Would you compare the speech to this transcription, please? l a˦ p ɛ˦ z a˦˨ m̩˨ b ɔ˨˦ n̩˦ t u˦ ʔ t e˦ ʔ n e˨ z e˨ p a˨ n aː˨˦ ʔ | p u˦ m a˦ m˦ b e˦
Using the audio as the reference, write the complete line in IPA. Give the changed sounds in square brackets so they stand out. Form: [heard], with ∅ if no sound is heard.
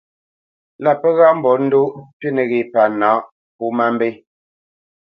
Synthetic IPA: l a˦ p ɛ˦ [ɣ] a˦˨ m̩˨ b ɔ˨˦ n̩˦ [d] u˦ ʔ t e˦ [∅] n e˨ [ɣ] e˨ p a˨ n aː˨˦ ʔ | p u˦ m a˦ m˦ b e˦